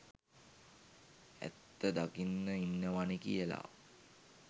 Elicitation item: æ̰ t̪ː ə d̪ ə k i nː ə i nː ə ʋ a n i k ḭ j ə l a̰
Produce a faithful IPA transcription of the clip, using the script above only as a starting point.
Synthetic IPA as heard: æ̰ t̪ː ə d̪ a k i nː ə i nː ə ʋ a n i k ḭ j ə l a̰